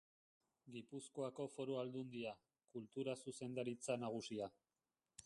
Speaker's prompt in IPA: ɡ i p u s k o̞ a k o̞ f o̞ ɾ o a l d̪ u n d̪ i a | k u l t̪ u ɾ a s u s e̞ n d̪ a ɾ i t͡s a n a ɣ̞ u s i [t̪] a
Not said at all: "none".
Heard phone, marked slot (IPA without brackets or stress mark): none